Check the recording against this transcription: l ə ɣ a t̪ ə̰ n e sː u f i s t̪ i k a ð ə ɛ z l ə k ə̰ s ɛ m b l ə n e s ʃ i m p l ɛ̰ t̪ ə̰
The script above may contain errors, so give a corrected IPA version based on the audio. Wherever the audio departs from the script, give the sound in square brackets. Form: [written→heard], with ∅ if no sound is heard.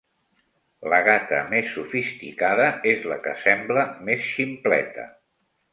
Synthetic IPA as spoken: l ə ɣ a t̪ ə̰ [n→m] e sː u f i s t̪ i k a ð ə [ɛ→e] z l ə k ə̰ s ɛ m b l ə [n→m] e s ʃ i m p l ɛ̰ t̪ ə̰